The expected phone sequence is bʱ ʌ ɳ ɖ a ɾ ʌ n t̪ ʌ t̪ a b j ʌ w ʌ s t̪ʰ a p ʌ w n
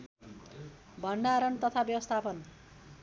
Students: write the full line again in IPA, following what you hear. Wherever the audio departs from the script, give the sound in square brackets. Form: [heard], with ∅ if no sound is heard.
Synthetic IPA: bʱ ʌ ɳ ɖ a ɾ ʌ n t̪ ʌ [t̪ʰ] a b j ʌ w ʌ s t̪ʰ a p ʌ [∅] n